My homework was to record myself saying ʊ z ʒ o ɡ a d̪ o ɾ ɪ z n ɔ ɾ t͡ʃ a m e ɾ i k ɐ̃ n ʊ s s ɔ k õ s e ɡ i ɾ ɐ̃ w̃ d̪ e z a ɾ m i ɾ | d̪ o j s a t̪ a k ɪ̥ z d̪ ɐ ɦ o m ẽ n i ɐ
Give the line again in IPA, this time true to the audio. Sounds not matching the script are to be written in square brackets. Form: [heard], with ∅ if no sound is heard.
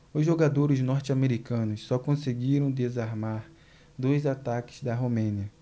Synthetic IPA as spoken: ʊ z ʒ o ɡ a d̪ o ɾ ɪ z n ɔ ɾ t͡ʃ a m e ɾ i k ɐ̃ n ʊ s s ɔ k õ s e ɡ i ɾ ɐ̃ w̃ d̪ e z a ɾ m [a] ɾ | d̪ o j [z] a t̪ a k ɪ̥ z d̪ ɐ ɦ o m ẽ n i ɐ